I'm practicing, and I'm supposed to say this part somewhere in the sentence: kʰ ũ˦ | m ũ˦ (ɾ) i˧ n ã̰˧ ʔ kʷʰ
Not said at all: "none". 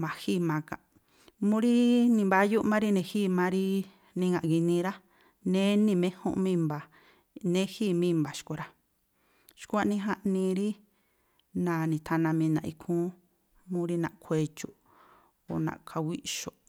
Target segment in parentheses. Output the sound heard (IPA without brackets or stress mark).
ɾ